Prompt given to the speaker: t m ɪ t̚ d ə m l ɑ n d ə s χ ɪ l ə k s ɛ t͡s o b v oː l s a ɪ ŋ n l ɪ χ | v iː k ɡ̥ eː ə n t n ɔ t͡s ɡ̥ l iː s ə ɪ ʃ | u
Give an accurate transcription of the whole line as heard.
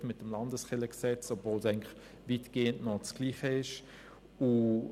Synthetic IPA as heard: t m ɪ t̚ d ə m l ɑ n d ə s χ ɪ l ə k s ɛ t͡s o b v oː l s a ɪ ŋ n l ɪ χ | v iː t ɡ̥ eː ə n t n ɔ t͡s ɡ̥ l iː χ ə ɪ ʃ | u